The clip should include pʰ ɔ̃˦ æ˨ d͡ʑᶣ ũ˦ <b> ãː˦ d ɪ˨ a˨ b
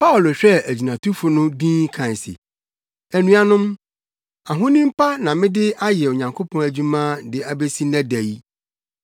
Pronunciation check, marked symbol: incorrect: m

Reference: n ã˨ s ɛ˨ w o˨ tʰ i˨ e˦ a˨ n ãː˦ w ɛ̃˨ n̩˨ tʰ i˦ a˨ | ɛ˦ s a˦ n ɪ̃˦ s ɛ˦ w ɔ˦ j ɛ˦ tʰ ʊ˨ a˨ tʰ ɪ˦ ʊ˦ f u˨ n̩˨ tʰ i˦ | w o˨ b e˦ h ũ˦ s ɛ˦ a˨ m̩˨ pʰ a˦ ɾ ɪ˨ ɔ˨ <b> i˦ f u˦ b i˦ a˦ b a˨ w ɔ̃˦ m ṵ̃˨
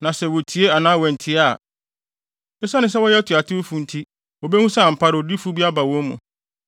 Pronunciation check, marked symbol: incorrect: d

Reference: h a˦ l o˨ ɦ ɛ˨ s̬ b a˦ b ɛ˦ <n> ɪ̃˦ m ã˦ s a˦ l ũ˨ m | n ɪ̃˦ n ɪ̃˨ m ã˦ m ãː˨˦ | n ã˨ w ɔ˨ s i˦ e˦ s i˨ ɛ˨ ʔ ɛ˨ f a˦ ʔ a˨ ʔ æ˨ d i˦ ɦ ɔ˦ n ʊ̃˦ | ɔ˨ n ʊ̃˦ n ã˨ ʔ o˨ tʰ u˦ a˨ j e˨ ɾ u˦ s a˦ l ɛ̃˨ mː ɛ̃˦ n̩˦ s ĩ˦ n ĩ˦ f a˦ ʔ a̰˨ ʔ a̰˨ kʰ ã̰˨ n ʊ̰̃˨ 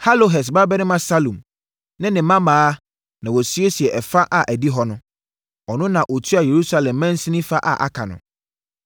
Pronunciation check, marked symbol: correct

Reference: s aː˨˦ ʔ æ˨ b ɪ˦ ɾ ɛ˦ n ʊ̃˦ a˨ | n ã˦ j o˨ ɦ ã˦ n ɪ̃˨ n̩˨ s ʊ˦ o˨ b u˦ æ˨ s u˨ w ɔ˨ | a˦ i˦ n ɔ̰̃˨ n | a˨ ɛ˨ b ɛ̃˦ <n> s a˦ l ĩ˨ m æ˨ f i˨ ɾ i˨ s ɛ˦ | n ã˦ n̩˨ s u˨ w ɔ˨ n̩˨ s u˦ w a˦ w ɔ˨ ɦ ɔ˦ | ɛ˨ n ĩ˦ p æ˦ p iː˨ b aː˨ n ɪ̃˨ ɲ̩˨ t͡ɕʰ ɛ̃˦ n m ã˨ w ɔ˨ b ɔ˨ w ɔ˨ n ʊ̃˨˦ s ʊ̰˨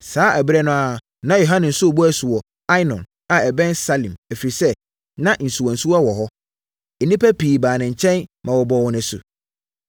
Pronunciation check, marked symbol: correct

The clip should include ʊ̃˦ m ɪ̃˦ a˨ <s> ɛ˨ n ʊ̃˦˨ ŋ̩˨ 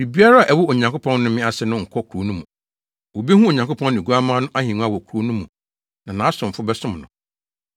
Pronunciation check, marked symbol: correct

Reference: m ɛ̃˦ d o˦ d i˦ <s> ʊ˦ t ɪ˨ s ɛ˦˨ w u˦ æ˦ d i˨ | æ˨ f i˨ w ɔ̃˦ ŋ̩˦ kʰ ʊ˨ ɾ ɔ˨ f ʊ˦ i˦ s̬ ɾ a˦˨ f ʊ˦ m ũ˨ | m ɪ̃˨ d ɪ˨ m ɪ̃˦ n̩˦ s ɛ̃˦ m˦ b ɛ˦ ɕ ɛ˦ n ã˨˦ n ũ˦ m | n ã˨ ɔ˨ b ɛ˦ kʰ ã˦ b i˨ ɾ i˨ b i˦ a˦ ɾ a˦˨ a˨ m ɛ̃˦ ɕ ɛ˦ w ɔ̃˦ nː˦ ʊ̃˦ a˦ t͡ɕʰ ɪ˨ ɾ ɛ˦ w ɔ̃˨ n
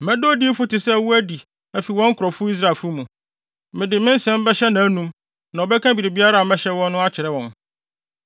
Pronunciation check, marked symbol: incorrect: f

